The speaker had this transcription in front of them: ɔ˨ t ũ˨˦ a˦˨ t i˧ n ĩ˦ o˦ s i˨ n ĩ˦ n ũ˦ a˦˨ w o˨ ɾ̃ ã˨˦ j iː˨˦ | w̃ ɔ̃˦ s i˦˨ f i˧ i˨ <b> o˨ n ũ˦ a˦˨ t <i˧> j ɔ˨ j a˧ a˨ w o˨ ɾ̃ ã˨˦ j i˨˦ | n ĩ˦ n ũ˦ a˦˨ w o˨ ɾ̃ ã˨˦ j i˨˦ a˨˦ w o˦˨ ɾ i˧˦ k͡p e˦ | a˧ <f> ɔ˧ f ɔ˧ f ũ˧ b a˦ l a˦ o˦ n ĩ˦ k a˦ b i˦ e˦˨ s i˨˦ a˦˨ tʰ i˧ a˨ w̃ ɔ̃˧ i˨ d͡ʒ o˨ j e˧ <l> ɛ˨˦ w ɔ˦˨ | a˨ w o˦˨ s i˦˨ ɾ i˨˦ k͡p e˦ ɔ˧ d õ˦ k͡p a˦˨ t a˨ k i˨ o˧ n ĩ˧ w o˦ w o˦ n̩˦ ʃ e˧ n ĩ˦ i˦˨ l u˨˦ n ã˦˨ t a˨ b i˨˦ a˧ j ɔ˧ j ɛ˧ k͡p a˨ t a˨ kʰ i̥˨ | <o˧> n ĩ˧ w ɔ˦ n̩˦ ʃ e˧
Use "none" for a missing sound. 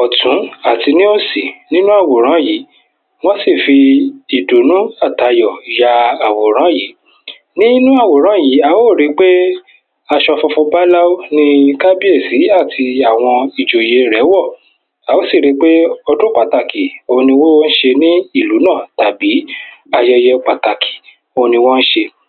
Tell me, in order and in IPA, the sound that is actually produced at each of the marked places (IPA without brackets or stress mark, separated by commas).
d, a˧, ʃ, ɾ, o˧